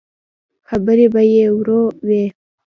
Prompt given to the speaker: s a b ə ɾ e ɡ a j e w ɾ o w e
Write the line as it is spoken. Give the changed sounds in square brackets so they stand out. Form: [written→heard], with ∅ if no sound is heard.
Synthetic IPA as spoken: [s→x] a b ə ɾ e [ɡ→b] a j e w ɾ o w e